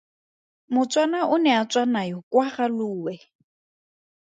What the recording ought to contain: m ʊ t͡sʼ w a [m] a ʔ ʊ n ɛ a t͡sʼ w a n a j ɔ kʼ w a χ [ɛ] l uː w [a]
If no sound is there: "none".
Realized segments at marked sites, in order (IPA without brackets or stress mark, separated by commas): n, a, ɛ